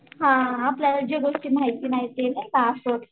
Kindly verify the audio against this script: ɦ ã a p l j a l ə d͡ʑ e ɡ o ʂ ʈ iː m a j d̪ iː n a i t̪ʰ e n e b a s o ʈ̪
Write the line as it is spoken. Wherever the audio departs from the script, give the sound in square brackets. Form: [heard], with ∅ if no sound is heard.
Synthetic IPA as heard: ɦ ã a p l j a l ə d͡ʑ e ɡ o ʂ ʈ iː m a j [t̪] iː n a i [t̪] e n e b a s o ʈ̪

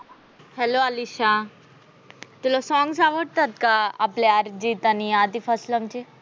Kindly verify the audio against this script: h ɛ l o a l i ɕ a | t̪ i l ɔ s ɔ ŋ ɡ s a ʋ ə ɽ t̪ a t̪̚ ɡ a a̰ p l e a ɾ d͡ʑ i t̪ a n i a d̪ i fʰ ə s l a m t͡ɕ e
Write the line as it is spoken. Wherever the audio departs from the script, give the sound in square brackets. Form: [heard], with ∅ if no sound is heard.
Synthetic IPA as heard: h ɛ l o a l i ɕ a | t̪ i l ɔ s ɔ ŋ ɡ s a ʋ ə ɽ t̪ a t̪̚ [k] a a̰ p l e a ɾ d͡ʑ i t̪ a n i a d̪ i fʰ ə s l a m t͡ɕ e

